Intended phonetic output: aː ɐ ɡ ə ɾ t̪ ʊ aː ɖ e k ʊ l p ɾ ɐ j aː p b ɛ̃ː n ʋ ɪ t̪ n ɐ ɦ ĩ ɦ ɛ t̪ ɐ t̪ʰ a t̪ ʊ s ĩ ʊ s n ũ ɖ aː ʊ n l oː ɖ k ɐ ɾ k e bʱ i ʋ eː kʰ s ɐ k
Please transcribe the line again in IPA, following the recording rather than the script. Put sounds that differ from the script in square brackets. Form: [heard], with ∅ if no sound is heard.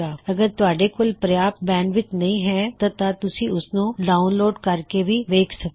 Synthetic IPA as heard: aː ɐ ɡ ə ɾ t̪ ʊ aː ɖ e k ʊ l p ɾ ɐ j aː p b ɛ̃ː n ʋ ɪ t̪ n ɐ ɦ ĩ ɦ ɛ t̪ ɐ [t̪] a t̪ ʊ s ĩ ʊ s n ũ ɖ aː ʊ n l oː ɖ k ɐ ɾ k e bʱ i ʋ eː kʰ s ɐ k